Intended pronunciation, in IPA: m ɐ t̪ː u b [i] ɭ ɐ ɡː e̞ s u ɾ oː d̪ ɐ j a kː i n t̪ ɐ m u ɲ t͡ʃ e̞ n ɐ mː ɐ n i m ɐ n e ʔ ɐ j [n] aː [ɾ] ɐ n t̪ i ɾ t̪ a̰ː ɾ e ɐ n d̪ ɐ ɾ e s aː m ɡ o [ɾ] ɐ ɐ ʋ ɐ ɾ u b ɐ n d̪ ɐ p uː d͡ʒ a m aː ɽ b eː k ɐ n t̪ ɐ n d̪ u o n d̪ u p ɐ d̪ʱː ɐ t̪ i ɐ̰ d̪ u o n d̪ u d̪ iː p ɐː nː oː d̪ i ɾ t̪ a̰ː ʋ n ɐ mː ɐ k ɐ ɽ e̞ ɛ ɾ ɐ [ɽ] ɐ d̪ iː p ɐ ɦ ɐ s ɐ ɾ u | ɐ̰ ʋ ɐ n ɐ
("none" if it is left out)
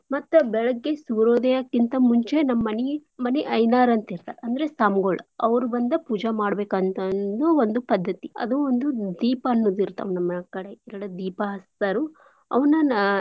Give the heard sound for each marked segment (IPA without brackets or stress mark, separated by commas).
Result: ɛ, n, ɾ, ɭ, ɽ